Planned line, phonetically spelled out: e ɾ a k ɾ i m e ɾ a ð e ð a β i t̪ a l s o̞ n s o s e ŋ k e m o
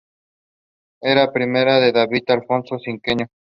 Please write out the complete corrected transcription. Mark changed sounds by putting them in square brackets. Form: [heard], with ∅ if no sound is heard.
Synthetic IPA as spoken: e ɾ a [p] ɾ i m e ɾ a ð e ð a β i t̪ a l [f] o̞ n s o s [i] ŋ k e [ɲ] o